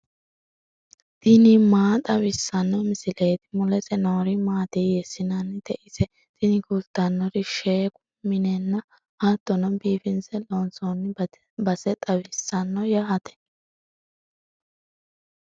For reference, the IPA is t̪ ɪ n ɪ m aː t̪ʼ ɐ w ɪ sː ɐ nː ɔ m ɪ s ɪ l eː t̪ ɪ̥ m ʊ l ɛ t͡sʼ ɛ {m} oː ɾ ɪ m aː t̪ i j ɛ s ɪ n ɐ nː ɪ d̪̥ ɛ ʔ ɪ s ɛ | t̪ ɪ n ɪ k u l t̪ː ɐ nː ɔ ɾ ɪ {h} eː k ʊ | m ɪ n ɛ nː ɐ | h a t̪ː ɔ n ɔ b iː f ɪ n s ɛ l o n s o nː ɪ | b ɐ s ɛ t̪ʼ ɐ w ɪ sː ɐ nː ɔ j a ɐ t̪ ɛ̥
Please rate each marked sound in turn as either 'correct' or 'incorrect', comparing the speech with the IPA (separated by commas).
incorrect, incorrect